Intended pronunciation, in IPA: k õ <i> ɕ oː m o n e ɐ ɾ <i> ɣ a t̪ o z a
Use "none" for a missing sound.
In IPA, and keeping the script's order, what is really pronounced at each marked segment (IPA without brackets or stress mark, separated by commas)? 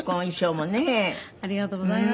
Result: i, i